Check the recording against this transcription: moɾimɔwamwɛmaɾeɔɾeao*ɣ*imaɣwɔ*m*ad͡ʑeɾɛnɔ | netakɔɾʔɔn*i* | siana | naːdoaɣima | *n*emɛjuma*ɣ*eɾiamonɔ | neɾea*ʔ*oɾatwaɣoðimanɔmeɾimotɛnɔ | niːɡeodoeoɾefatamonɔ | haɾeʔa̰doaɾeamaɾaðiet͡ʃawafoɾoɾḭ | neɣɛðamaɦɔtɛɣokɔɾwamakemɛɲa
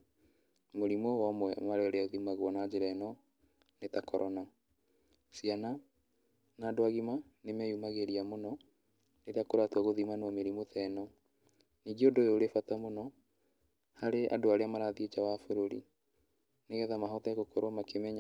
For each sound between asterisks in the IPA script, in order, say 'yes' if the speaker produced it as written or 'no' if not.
no, no, no, yes, yes, no

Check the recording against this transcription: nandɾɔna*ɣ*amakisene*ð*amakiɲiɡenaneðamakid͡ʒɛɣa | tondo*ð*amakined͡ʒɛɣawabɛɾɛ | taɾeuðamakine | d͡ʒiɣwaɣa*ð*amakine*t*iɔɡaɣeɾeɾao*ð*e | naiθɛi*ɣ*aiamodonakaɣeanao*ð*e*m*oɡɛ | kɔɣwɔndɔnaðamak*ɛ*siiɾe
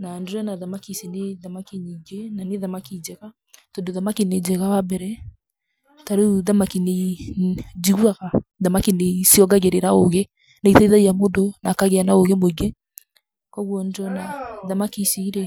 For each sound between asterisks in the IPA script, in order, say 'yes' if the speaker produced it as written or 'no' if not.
no, yes, yes, yes, no, no, no, no, yes, no

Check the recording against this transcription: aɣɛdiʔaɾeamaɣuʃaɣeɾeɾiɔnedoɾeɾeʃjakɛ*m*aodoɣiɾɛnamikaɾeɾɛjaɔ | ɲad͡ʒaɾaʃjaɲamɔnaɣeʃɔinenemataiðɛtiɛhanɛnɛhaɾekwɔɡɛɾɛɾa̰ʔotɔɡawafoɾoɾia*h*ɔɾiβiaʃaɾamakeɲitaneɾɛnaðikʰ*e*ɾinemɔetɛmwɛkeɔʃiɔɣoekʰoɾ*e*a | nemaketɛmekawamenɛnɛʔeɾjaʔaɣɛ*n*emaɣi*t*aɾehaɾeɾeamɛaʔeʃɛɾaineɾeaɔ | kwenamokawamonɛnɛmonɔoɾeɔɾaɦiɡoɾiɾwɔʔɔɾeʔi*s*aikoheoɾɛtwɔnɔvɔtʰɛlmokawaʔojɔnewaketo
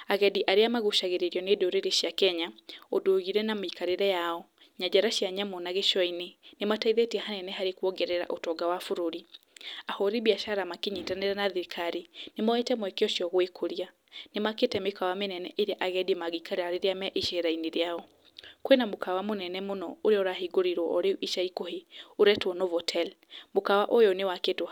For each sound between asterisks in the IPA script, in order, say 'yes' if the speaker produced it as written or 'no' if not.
no, yes, no, no, no, no, no

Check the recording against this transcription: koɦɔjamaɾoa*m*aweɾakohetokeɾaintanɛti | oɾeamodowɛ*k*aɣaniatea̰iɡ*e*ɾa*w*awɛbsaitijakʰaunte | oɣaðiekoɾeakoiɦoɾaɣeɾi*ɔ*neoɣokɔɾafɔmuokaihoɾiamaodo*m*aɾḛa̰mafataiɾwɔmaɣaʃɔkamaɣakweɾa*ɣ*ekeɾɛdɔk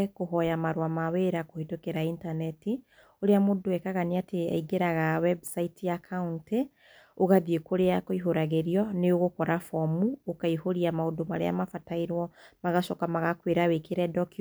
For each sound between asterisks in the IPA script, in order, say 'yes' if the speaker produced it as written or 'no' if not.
yes, yes, yes, no, yes, yes, no

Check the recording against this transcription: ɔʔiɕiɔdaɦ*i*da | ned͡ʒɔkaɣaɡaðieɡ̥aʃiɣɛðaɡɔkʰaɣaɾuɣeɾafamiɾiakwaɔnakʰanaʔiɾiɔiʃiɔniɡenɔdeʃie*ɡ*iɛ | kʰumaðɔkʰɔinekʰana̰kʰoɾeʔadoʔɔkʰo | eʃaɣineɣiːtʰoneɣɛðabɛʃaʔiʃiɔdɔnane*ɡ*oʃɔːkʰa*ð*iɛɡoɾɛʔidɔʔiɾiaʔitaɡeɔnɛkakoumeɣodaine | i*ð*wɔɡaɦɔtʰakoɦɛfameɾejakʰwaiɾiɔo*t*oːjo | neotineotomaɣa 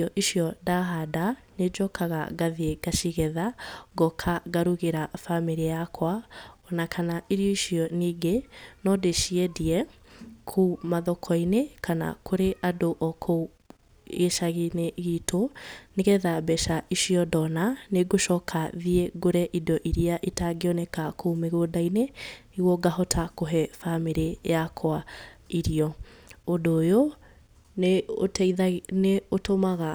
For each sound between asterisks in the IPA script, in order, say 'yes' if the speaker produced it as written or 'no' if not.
no, no, yes, yes, no, no

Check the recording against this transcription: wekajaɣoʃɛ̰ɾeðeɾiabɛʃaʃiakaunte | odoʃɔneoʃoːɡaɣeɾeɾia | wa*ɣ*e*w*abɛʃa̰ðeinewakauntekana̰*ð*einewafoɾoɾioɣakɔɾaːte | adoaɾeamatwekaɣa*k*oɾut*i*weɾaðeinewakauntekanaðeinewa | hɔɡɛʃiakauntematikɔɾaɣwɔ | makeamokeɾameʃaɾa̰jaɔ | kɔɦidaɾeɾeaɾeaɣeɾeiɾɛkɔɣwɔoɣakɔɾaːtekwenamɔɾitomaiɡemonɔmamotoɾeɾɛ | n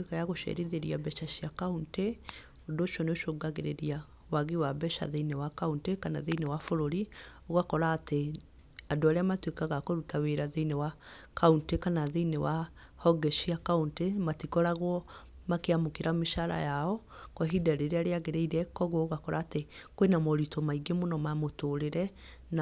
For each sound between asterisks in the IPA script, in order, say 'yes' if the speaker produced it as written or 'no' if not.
yes, yes, yes, yes, no

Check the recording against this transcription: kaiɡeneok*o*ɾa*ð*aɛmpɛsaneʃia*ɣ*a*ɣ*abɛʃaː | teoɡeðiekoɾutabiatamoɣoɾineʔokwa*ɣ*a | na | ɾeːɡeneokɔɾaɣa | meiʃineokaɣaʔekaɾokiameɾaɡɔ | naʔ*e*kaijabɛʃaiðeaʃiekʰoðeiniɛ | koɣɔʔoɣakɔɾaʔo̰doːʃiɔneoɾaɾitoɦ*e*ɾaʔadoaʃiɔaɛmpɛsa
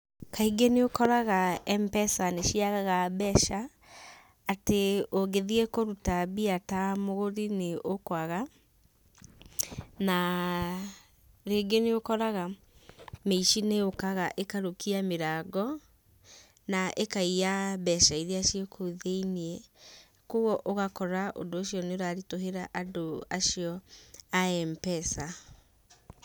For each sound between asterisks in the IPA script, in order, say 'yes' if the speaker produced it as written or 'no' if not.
no, no, yes, yes, yes, yes, yes

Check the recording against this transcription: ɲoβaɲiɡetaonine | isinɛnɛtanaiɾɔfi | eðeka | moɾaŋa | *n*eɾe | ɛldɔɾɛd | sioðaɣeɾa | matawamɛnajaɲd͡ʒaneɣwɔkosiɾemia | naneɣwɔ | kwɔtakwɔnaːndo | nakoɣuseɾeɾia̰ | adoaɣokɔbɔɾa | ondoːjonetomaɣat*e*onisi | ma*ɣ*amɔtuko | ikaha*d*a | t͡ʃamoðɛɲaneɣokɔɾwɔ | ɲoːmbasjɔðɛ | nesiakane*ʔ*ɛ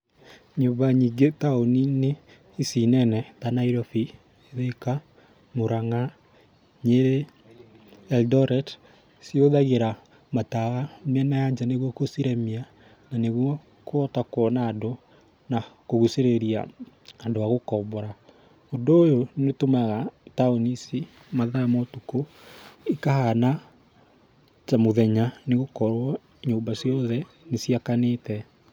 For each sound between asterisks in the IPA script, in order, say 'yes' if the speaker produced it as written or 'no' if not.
no, no, no, no, no

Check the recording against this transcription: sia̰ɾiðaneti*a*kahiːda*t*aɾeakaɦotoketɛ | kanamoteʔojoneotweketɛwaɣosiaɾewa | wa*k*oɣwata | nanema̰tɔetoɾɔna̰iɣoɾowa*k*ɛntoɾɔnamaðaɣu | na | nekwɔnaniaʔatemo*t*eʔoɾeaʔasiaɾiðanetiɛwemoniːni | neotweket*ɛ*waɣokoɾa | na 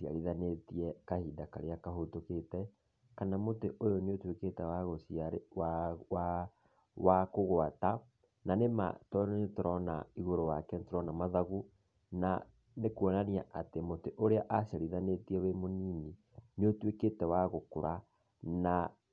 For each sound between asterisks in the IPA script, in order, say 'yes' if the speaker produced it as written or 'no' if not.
no, no, yes, yes, yes, yes

